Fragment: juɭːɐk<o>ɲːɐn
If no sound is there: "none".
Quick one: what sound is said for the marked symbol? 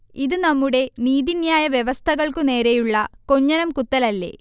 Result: o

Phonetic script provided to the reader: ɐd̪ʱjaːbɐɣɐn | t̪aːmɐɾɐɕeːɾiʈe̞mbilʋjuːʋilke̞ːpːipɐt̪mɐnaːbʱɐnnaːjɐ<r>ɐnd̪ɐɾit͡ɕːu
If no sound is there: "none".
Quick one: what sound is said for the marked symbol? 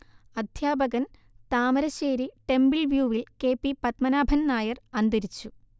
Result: r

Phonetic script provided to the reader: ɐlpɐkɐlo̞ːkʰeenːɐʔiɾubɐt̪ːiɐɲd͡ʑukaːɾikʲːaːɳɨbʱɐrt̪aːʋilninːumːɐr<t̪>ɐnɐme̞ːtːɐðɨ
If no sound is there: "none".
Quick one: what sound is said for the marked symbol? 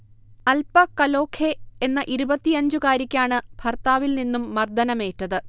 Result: d̪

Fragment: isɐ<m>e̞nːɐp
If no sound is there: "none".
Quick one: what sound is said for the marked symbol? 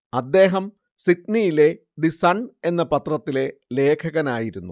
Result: ɳ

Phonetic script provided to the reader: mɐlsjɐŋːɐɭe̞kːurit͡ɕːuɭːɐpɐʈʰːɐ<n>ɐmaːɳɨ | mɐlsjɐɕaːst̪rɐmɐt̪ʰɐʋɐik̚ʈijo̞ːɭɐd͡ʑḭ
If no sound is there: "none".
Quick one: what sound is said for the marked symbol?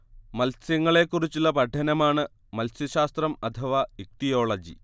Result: n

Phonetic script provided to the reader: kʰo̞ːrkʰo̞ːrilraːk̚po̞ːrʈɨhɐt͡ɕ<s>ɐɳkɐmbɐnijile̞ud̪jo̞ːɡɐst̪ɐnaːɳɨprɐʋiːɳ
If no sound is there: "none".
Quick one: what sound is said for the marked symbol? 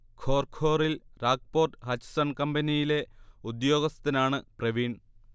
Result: s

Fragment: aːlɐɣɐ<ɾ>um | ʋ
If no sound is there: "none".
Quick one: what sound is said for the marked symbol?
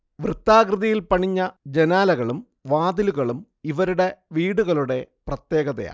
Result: ɭ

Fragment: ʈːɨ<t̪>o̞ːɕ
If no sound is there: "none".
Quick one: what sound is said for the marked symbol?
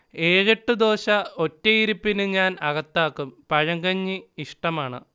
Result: d̪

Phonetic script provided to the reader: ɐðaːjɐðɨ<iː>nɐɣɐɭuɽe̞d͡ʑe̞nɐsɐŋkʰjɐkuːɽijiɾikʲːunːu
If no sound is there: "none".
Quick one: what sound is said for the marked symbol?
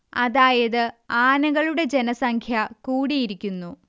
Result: aː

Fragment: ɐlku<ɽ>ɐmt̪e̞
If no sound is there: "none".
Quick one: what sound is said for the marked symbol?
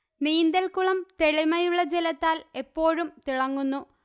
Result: ɭ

